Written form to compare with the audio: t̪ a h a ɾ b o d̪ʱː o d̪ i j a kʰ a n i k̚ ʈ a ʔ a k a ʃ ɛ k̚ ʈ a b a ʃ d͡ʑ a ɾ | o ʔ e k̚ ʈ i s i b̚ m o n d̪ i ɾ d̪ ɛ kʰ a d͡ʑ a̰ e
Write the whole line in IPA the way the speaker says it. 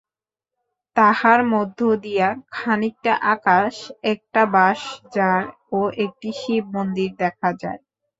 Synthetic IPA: t̪ a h a ɾ m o d̪ʱː o d̪ i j a kʰ a n i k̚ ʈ a ʔ a k a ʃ ɛ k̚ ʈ a b a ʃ d͡ʑ a ɾ | o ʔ e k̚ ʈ i ʃ i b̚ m o n d̪ i ɾ d̪ ɛ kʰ a d͡ʑ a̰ e